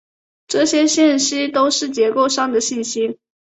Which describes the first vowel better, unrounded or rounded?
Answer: unrounded